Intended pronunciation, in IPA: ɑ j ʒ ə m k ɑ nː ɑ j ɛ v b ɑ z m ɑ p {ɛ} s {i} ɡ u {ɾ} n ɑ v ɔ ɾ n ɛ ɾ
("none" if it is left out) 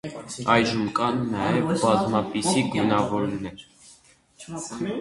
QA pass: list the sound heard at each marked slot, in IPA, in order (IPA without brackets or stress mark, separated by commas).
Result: i, i, none